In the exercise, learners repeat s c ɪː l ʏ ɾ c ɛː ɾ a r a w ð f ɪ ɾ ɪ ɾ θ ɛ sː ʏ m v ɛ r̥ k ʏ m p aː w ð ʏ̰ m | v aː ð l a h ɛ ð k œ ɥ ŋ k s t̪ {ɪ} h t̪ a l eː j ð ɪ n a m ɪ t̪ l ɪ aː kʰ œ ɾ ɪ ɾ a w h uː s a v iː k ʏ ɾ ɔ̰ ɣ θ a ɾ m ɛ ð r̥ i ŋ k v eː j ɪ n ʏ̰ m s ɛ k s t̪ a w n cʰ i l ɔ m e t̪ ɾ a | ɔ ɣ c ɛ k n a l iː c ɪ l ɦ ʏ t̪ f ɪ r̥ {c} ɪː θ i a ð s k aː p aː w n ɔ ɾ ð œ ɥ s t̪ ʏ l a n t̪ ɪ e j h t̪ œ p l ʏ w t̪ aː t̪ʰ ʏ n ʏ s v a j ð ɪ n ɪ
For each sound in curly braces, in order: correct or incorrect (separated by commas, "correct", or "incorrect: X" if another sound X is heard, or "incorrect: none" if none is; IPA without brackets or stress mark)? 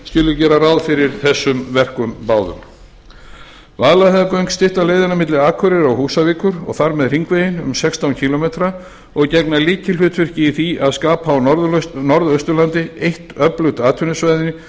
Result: correct, correct